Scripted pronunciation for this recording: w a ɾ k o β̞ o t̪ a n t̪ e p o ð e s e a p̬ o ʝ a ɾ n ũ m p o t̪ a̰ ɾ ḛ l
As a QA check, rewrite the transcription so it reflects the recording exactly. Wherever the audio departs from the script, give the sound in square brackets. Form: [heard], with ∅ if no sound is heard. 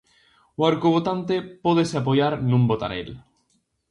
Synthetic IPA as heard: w a ɾ k o β̞ o t̪ a n t̪ e p o ð e s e a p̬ o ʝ a ɾ n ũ m [b] o t̪ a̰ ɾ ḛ l